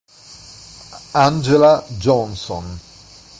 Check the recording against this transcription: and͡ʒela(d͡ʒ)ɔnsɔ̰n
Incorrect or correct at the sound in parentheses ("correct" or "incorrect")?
correct